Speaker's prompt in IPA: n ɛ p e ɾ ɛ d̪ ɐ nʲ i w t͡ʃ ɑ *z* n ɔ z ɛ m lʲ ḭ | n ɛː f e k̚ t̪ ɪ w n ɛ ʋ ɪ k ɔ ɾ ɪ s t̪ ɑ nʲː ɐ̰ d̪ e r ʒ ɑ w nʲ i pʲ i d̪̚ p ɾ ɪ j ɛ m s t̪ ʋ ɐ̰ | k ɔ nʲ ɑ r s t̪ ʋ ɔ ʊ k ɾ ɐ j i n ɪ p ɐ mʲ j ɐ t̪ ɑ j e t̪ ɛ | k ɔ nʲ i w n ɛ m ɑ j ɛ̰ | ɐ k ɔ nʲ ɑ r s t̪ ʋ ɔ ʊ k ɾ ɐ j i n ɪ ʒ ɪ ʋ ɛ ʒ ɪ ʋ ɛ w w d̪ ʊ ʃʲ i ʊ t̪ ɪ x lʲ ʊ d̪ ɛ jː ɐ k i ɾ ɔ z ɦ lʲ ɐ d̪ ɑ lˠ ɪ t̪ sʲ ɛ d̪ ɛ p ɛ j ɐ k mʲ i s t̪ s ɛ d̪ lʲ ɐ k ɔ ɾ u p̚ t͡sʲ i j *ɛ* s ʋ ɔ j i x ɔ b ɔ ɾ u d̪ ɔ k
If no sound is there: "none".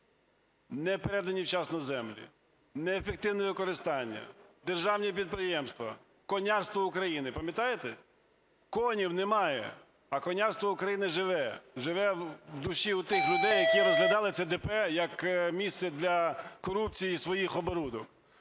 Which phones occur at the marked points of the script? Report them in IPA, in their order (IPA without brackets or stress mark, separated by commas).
s, i